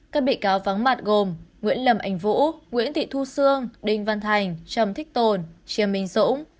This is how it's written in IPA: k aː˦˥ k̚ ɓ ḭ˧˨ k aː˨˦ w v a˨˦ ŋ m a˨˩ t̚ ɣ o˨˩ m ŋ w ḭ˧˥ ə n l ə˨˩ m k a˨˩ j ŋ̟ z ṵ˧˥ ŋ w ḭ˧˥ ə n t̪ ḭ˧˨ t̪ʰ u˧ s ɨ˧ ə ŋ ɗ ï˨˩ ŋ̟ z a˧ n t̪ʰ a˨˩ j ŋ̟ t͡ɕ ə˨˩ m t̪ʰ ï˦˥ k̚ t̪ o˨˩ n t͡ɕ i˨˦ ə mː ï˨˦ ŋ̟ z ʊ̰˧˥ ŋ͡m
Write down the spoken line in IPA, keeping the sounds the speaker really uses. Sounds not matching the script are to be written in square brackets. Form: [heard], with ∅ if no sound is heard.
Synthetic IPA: k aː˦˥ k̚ ɓ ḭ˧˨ k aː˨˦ w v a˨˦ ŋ m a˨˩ t̚ ɣ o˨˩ m ŋ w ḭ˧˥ ə n l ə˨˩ m [ʔ] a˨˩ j ŋ̟ [v] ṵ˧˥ ŋ w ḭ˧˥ ə n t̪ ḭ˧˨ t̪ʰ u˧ s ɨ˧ ə ŋ ɗ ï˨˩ ŋ̟ [v] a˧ n t̪ʰ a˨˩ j ŋ̟ t͡ɕ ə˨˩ m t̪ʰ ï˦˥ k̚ t̪ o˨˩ n t͡ɕ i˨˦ ə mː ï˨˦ ŋ̟ z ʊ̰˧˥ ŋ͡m